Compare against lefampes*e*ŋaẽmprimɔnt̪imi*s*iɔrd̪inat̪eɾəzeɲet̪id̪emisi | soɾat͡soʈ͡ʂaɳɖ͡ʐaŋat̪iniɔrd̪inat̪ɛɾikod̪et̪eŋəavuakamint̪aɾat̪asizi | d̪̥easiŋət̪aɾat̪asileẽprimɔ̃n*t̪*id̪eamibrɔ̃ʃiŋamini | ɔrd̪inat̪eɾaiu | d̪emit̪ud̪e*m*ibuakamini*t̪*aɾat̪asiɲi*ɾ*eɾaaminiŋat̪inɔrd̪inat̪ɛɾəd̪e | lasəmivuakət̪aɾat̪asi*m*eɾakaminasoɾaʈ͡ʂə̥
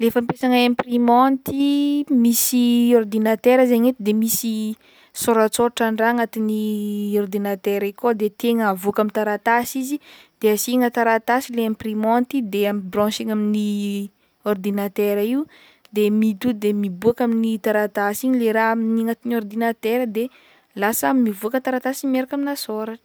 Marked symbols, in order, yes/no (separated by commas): no, yes, yes, yes, yes, no, yes